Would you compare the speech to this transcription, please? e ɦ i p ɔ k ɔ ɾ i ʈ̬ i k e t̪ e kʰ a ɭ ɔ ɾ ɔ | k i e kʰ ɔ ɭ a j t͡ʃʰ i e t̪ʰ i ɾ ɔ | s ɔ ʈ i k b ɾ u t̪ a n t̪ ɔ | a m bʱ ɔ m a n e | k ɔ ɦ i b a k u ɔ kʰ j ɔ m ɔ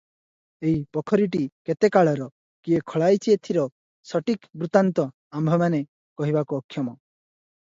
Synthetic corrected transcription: e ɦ i p ɔ kʰ ɔ ɾ i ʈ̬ i k e t̪ e k a ɭ ɔ ɾ ɔ | k i e kʰ ɔ ɭ a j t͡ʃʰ i e t̪ʰ i ɾ ɔ | s ɔ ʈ i k b ɾ u t̪ a n t̪ ɔ | a m bʱ ɔ m a n e | k ɔ ɦ i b a k u ɔ kʰ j ɔ m ɔ